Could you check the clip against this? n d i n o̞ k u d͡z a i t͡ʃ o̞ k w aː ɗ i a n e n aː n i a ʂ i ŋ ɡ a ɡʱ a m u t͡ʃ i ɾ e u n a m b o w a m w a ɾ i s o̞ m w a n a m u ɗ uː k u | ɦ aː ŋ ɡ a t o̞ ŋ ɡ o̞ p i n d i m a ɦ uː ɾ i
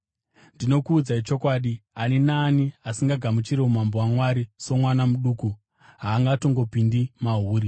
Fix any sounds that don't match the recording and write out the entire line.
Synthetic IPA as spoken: n d i n o̞ k uː d͡z a i t͡ʃ o̞ k w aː ɗ i a n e n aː n i a s i ŋ ɡ a ɡʱ a m u t͡ʃ i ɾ e u m a m b o w a m w a ɾ i s o̞ m w a n a m u ɗ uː k u | ɦ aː ŋ ɡ a t o̞ ŋ ɡ o̞ p i n d i m a ɦ uː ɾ i